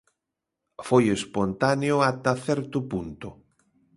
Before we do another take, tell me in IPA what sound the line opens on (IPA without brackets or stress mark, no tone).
f